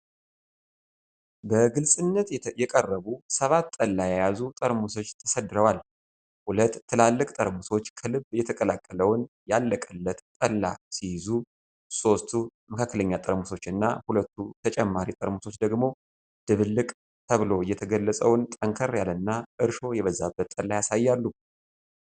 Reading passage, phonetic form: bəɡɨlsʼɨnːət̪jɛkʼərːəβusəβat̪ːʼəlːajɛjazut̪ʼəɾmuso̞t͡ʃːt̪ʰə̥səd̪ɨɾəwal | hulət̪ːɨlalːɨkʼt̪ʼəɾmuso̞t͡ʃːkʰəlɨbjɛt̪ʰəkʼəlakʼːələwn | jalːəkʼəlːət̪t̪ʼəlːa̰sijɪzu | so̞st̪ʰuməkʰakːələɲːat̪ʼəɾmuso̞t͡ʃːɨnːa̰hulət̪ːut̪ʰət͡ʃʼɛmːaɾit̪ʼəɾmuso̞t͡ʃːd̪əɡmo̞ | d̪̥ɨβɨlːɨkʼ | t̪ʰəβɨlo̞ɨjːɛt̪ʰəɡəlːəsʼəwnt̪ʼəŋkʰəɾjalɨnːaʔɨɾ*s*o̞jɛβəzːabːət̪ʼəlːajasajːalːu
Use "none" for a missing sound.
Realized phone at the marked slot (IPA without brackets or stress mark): ʃ